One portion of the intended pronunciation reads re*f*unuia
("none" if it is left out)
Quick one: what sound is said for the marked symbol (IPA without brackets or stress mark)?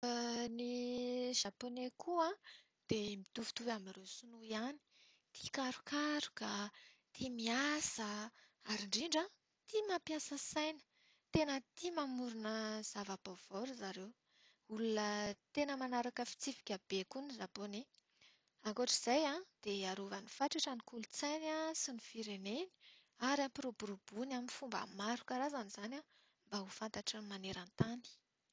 s